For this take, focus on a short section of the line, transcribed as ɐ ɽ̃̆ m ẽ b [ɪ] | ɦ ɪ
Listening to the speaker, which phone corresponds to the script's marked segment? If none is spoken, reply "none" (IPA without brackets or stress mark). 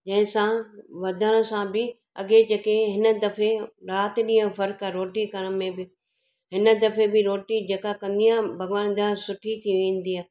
ɪ